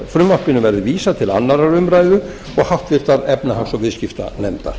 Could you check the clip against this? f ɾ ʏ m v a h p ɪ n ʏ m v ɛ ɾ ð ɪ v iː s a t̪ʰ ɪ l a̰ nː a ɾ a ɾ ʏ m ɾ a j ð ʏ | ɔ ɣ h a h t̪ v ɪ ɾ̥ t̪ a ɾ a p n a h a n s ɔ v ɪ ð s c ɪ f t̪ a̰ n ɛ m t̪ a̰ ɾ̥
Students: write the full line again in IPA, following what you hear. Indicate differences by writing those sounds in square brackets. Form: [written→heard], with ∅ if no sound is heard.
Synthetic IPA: f ɾ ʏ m v a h p ɪ n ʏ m v ɛ ɾ ð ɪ v iː s a t̪ʰ ɪ l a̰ nː a ɾ a ɾ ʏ m ɾ a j ð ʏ | ɔ ɣ h a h t̪ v ɪ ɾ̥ t̪ a ɾ [a→ɛ] p n a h a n s ɔ v ɪ ð s c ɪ f t̪ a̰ n ɛ m t̪ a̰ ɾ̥